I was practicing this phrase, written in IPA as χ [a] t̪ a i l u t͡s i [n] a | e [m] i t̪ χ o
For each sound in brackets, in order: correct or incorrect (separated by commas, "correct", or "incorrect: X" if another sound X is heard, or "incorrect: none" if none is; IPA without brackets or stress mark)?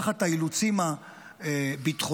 correct, incorrect: m, incorrect: b